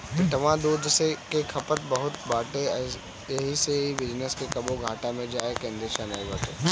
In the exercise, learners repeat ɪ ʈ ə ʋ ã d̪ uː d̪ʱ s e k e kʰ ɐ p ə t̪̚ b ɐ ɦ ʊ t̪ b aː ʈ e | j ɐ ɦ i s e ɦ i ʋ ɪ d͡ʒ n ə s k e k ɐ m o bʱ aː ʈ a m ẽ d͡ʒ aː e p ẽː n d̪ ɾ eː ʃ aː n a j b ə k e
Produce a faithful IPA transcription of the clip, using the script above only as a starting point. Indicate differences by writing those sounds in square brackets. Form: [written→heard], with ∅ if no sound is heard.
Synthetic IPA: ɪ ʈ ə ʋ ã d̪ uː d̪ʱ s e k e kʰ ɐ p ə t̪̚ b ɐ ɦ ʊ t̪ b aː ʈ e | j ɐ ɦ i s e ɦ i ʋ ɪ d͡ʒ n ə s k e k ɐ [m→b] o [bʱ→ɡʱ] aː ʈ a m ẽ d͡ʒ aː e [p→k] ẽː n d̪ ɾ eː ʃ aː n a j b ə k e